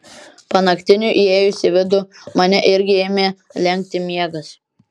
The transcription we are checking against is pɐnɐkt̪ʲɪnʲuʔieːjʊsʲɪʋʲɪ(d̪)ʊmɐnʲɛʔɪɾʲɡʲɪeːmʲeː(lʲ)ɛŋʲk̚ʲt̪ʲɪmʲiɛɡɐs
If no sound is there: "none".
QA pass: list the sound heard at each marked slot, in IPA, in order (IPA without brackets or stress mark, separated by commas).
d̪, lʲ